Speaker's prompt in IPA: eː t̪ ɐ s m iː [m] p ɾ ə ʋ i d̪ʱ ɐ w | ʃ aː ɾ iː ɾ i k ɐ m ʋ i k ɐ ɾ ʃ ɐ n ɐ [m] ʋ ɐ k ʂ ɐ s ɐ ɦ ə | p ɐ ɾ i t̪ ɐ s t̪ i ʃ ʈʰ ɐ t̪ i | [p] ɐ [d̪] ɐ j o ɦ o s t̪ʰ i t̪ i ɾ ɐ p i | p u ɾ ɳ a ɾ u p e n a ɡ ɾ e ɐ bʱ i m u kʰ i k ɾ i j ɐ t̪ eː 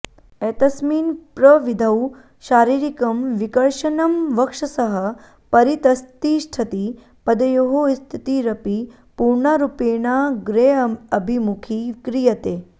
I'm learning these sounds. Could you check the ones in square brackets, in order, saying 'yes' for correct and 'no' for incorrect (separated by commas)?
no, yes, yes, yes